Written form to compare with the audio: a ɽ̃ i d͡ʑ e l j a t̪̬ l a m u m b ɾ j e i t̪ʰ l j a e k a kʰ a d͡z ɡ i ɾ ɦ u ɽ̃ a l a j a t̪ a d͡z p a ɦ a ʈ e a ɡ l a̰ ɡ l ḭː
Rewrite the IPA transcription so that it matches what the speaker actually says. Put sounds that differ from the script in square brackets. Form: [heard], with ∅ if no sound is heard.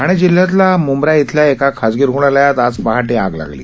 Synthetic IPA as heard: a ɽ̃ i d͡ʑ [i] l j a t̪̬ l a m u m b ɾ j [a] i t̪ʰ l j a e k a kʰ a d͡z ɡ i ɾ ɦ u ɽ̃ a l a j a t̪ a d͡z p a ɦ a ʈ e a ɡ l a̰ ɡ l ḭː